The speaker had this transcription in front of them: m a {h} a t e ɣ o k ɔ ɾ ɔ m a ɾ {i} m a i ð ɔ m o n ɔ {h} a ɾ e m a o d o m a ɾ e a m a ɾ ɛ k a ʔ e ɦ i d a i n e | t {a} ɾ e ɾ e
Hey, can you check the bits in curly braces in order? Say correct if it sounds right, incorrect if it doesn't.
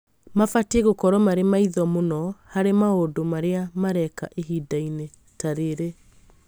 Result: incorrect: f, incorrect: e, correct, correct

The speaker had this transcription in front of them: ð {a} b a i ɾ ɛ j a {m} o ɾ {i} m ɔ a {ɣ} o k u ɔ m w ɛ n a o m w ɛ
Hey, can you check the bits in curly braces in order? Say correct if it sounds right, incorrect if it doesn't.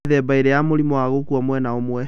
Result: incorrect: ɛ, correct, correct, correct

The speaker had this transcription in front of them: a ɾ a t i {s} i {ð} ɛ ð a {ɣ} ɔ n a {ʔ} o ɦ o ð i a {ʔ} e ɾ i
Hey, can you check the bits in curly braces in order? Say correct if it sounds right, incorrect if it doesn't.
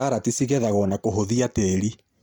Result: correct, incorrect: ɣ, correct, incorrect: k, incorrect: t

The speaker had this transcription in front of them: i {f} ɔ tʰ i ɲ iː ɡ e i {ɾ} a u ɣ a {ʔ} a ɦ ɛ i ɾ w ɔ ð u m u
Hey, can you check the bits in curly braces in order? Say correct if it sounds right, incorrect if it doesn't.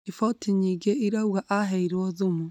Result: correct, correct, correct

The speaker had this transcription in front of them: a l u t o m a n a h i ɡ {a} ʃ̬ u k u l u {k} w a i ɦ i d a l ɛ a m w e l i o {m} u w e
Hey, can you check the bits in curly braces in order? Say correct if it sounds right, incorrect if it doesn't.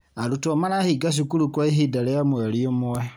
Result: correct, correct, correct

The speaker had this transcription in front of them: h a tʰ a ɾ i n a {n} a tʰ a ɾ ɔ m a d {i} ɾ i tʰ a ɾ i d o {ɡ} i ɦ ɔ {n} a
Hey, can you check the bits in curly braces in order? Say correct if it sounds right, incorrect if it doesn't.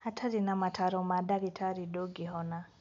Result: incorrect: m, incorrect: a, correct, correct

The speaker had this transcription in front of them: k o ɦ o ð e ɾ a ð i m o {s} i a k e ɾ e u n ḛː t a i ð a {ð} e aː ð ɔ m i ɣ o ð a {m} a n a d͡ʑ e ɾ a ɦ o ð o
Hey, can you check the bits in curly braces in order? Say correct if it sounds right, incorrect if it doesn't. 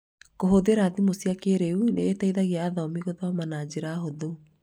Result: correct, incorrect: ɣ, correct

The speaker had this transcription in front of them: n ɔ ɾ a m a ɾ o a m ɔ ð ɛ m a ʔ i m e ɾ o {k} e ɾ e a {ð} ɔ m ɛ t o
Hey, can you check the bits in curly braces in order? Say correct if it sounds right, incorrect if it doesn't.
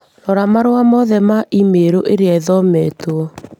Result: incorrect: ʔ, correct

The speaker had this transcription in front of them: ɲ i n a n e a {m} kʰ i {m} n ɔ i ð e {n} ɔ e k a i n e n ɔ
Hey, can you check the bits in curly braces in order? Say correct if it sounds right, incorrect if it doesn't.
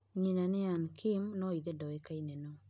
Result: incorrect: n, correct, incorrect: d

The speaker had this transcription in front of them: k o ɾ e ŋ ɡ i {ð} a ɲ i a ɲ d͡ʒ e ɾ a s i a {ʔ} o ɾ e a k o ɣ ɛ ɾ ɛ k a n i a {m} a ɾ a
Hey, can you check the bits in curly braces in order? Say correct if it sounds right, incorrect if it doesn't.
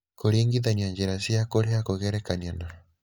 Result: correct, incorrect: k, incorrect: n

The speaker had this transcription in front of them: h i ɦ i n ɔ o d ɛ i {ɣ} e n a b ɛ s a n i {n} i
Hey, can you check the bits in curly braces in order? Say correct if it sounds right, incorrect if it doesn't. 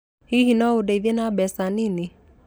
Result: incorrect: ð, correct

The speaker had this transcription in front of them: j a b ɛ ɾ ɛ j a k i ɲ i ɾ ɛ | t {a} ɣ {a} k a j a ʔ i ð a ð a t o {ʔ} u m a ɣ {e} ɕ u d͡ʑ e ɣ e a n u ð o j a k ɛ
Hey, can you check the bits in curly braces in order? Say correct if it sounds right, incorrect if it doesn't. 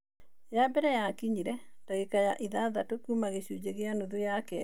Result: correct, incorrect: e, incorrect: k, correct

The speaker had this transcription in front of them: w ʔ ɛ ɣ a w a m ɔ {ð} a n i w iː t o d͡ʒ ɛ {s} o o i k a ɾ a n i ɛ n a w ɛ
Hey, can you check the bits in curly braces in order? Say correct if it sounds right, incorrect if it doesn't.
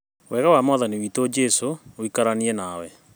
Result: correct, correct

